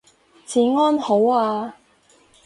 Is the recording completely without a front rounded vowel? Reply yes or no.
yes